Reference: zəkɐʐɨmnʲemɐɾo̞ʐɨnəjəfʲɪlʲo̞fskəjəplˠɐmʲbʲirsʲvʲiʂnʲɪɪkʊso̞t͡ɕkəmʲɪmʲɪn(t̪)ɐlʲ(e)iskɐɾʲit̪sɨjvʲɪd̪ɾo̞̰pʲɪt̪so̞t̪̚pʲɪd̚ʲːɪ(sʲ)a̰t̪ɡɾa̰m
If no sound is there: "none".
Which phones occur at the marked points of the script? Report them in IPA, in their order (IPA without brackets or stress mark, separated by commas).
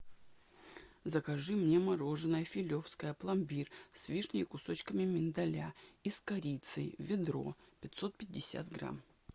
d̪, a, sʲ